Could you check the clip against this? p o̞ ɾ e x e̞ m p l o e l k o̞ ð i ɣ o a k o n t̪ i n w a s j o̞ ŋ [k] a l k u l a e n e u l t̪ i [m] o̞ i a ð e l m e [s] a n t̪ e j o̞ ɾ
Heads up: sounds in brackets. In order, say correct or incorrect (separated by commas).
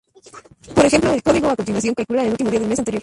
correct, correct, correct